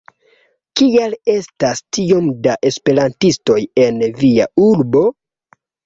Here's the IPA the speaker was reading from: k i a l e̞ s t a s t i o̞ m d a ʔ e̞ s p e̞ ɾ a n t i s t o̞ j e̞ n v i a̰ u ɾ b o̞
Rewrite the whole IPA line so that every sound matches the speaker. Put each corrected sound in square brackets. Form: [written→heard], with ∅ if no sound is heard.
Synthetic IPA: k i a l e̞ s t a s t i o̞ m d a ʔ e̞ s p e̞ ɾ a n t i s t o̞ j e̞ n v i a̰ u ɾ b o̞